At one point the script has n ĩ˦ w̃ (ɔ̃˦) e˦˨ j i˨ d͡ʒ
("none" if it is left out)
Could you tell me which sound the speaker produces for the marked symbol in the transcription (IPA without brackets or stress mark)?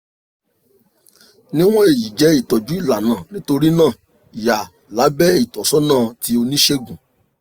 ɔ̃˦